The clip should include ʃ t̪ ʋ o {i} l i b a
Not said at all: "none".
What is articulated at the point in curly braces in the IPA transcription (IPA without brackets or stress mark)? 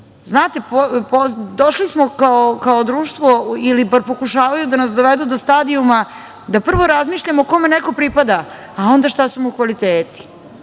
i